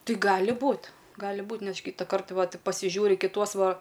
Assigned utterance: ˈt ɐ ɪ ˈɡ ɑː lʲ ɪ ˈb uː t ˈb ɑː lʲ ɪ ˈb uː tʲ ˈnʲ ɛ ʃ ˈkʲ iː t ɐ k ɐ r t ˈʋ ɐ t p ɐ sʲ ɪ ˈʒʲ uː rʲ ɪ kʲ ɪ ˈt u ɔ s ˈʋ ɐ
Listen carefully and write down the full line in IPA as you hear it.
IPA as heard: ˈt ɐ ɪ ˈɡ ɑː lʲ ɪ ˈb uː t ˈɡ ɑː lʲ ɪ ˈb uː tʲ ˈnʲ ɛ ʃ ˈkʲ iː t ɐ k ɐ r t ˈʋ ɐ t p ɐ sʲ ɪ ˈʒʲ uː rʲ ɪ kʲ ɪ ˈt u ɔ s ˈʋ ɐ